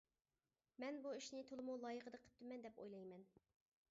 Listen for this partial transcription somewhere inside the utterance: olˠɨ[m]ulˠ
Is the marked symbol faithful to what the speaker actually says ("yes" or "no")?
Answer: yes